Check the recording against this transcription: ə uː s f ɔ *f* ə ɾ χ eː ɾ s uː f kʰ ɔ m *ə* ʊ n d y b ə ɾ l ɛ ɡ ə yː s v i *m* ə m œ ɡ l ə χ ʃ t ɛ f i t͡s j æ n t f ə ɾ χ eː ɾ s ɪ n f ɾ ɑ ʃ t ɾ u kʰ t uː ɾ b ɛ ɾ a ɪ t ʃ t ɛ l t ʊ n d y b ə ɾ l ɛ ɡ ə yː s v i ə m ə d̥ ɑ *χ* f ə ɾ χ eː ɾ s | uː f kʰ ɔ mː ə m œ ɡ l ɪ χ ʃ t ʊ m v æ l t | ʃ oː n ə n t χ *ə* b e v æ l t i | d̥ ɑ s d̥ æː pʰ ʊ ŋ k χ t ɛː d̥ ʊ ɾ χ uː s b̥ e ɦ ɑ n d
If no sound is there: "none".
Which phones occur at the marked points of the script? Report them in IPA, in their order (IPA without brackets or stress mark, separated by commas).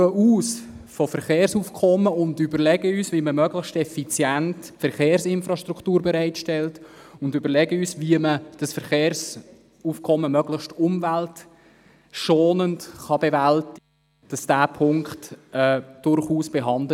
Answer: f, ə, m, s, ɑ